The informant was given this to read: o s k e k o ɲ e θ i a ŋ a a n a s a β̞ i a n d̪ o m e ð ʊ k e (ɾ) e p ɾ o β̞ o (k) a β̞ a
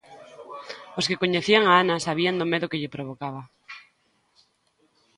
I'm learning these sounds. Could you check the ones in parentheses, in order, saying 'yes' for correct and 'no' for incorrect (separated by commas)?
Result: no, yes